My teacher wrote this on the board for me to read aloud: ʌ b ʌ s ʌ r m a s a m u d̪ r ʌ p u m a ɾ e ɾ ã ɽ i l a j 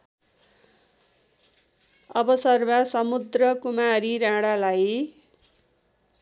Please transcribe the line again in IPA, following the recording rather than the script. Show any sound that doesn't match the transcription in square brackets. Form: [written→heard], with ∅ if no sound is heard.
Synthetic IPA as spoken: ʌ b ʌ s ʌ r m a s [a→ʌ] m u d̪ r ʌ [p→k] u m a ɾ [e→i] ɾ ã ɽ [i→a] l a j